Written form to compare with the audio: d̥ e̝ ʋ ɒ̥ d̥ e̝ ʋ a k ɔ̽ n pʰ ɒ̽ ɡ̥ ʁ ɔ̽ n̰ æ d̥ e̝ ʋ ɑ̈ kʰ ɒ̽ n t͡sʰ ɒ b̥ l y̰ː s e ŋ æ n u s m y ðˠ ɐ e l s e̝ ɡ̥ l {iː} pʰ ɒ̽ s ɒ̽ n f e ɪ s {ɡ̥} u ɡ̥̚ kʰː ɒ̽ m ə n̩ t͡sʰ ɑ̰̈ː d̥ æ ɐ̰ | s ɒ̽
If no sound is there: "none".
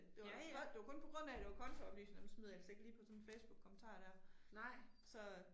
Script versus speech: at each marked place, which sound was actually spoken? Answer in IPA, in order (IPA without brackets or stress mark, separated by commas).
iː, b̥